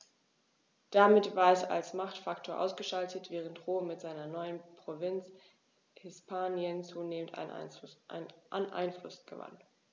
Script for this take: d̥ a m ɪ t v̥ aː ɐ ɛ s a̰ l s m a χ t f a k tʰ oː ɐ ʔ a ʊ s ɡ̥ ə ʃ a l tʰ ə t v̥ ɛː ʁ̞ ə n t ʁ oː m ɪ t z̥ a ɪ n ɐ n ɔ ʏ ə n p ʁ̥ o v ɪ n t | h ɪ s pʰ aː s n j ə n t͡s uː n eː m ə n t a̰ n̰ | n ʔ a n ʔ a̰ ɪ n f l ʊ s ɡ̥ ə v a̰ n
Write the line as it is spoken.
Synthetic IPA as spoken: d̥ a m ɪ t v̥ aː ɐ ɛ s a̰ l s m a χ t f a k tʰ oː ɐ ʔ a ʊ s ɡ̥ ə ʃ a l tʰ ə t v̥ ɛː ʁ̞ ə n t ʁ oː m ɪ t z̥ a ɪ n ɐ n ɔ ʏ ə n p ʁ̥ o v ɪ n t͡s | h ɪ s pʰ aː n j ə n t͡s uː n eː m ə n t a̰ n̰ | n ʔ a n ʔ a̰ ɪ n f l ʊ s ɡ̥ ə v a̰ n